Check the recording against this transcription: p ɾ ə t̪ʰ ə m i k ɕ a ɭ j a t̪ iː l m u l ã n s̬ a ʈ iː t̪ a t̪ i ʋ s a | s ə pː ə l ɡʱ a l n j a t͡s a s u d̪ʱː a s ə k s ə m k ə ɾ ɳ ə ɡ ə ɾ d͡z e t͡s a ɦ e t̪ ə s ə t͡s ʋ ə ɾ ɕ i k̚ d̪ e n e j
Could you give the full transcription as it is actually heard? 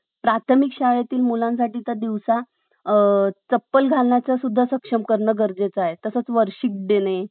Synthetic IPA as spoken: p ɾ a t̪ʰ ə m i k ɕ a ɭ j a t̪ iː l m u l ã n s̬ a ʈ iː t̪ a d̪ i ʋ s a | t͡s ə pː ə l ɡʱ a l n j a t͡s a s u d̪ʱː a s ə k ʂ ə m k ə ɾ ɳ ə ɡ ə ɾ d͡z e t͡s a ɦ e t̪ ə s ə t͡s ʋ ə ɾ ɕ i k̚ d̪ e n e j